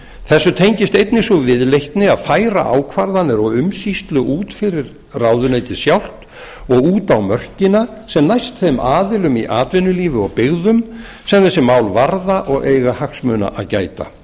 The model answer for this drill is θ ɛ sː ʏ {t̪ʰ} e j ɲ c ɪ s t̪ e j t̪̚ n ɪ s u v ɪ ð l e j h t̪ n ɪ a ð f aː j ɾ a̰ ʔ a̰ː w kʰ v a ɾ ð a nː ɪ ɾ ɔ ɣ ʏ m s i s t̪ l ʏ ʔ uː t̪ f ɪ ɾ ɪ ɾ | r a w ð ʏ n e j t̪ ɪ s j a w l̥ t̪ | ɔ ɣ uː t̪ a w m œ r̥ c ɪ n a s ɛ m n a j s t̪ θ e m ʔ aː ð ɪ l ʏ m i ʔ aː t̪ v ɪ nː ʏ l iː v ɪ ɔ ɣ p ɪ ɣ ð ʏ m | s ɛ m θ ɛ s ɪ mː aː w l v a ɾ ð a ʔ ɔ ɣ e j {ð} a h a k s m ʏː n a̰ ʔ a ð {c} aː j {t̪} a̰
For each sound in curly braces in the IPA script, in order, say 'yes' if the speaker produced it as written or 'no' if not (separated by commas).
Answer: yes, no, yes, yes